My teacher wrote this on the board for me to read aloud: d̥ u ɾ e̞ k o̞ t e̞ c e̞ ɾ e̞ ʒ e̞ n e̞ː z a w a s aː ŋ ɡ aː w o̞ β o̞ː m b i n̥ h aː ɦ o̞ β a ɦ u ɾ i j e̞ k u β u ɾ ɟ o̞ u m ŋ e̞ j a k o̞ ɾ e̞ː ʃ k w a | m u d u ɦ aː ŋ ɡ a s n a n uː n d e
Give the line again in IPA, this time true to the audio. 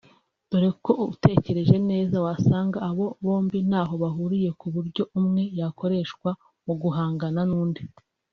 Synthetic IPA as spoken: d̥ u ɾ e̞ k o̞ t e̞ c e̞ ɾ e̞ ʒ e̞ n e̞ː z a w a s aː ŋ ɡ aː β o̞ β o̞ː m b i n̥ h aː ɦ o̞ β a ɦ u ɾ i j e̞ k u β u ɾ ɟ o̞ u m ŋ e̞ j a k o̞ ɾ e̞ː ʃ k w a | m u ɡ u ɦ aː ŋ ɡ a n a n uː n d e